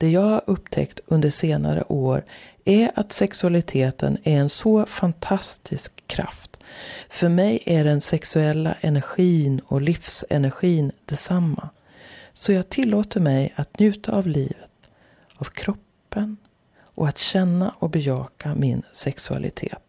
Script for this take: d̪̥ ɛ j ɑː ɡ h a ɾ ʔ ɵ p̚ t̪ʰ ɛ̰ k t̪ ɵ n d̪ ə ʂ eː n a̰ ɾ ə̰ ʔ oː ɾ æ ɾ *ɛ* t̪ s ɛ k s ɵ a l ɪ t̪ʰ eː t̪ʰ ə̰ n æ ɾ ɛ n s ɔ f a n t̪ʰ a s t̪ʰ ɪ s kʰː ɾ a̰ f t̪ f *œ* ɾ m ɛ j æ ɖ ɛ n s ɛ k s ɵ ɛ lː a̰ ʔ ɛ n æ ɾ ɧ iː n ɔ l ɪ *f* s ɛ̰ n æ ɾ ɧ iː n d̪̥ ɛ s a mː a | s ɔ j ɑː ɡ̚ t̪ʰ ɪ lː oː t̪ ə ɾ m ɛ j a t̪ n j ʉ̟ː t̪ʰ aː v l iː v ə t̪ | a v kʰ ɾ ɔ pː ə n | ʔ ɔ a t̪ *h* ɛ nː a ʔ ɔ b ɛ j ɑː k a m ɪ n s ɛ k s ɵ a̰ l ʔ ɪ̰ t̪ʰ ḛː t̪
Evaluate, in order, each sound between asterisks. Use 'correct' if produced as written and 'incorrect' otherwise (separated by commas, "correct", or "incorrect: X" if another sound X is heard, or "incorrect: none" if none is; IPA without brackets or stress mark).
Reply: incorrect: a, correct, correct, incorrect: ɕ